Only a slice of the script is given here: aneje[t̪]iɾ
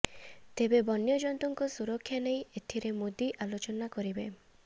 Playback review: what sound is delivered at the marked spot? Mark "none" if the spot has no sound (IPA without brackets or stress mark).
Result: t̪ʰ